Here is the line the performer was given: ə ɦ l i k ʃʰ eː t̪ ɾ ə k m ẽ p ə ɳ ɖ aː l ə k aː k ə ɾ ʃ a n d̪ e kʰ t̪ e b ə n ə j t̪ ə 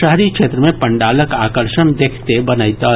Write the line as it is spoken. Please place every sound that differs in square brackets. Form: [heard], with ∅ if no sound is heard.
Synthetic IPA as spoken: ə ɦ [ɾ] i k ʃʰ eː t̪ ɾ ə [∅] m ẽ p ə ɳ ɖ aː l ə k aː k ə ɾ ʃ [ə] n d̪ e kʰ t̪ e b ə n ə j t̪ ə